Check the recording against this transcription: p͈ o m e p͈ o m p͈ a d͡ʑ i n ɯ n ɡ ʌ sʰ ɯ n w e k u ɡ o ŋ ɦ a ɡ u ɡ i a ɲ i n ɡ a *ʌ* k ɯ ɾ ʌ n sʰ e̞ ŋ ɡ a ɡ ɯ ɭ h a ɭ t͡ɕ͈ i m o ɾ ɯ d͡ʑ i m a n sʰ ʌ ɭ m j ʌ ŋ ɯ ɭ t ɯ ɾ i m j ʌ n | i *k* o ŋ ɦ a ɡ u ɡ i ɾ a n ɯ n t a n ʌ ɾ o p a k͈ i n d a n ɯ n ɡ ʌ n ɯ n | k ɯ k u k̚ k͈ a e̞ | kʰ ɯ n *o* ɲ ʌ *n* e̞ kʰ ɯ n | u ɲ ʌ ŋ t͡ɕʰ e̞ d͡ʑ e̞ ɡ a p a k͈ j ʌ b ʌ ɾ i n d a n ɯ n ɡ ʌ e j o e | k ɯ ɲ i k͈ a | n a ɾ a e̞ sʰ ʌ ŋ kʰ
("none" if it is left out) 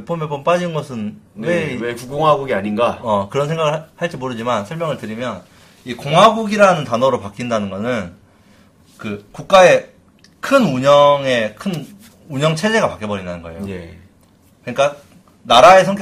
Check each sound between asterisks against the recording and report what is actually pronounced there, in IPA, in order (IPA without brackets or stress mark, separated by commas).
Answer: ʌ, k, u, ŋ